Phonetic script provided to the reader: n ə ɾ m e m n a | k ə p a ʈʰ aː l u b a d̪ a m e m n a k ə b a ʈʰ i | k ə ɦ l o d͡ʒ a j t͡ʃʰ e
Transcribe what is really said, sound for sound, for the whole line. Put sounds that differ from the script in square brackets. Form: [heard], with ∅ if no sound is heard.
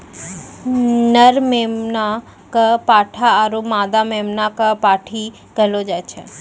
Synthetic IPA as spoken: n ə ɾ m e m n a | k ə p a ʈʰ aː [ɾ] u [m] a d̪ a m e m n a k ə [p] a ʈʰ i | k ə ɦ l o d͡ʒ a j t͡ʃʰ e